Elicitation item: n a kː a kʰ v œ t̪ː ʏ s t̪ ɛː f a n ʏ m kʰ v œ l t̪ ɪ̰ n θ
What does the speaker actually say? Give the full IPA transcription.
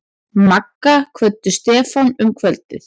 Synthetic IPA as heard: m a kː a kʰ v œ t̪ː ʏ s t̪ ɛː f a n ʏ m kʰ v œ l t̪ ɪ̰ θ

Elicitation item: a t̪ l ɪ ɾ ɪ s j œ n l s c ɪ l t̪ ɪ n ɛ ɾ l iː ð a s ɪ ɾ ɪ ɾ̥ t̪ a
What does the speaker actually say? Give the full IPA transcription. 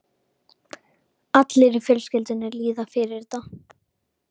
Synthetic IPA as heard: a t̪ l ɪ ɾ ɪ f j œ l s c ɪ l t̪ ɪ n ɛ ɾ l iː ð a f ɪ ɾ ɪ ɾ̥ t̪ a

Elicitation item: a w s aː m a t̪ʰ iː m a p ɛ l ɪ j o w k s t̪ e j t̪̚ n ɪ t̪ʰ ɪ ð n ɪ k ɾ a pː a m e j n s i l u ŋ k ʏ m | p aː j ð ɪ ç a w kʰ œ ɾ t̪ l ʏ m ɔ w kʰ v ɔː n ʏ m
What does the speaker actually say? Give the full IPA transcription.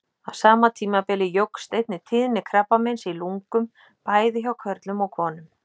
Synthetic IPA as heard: a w s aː m a t̪ʰ iː m a p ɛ l ɪ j o w k s t̪ e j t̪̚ n ɪ t̪ʰ ɪ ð n ɪ kʰ ɾ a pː a m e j n s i l u ŋ k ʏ m | p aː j ð ɪ ç a w kʰ œ ɾ t̪ l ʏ m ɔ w kʰ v ɔː n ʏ m

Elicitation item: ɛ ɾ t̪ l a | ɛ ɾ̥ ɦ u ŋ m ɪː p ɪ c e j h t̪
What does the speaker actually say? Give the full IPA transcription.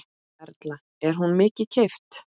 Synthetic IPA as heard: ɛ ɾ t̪ l a | ɛ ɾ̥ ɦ u n m ɪː c ɪ cʰ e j f t̪

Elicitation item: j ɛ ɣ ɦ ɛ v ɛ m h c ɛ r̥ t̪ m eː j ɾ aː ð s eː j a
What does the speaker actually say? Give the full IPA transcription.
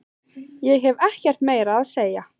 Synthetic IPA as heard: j ɛ ɣ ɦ ɛ v ɛ h c ɛ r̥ t̪ m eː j ɾ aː ð s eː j a

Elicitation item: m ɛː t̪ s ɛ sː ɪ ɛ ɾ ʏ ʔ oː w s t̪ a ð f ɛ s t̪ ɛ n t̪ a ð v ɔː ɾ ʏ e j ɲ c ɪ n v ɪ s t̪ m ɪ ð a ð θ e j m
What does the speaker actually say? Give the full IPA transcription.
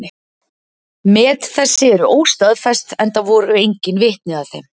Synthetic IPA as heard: m ɛː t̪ θ ɛ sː ɪ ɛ ɾ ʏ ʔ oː w s t̪ a ð f ɛ s t̪ ɛ n t̪ a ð v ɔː ɾ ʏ e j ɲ c ɪ n v ɪ h t̪ n ɪ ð a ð θ e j m

